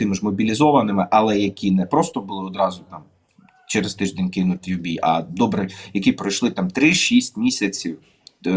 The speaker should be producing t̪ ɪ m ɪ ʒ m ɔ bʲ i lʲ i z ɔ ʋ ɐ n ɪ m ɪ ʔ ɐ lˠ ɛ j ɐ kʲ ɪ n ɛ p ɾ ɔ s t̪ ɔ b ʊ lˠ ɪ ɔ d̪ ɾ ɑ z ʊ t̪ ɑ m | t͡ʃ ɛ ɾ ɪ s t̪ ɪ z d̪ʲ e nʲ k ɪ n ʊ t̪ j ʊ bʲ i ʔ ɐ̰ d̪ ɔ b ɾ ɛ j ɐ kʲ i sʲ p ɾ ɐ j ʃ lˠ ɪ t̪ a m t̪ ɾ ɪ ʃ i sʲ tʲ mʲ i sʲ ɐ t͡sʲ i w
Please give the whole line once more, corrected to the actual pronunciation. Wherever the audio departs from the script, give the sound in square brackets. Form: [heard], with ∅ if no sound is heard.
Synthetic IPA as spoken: t̪ ɪ m ɪ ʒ m ɔ bʲ i lʲ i z ɔ ʋ ɐ n ɪ m ɪ ʔ ɐ lˠ ɛ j ɐ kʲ [i] n ɛ p ɾ ɔ s t̪ ɔ b ʊ lˠ ɪ ɔ d̪ ɾ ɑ z ʊ t̪ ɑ m | t͡ʃ ɛ ɾ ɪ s t̪ ɪ [ʒ] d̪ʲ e nʲ k ɪ n ʊ t̪ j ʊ bʲ i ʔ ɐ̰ d̪ ɔ b ɾ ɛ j ɐ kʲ i [∅] p ɾ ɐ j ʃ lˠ ɪ t̪ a m t̪ ɾ ɪ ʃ i sʲ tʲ mʲ i sʲ ɐ t͡sʲ i w